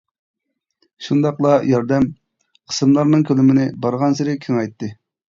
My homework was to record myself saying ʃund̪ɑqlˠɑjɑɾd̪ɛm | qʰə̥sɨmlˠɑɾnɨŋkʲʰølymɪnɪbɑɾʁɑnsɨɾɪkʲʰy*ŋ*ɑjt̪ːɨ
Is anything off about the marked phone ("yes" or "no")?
no